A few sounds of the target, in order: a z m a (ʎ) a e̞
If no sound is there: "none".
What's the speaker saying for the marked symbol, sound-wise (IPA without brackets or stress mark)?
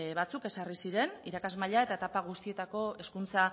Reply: ʎ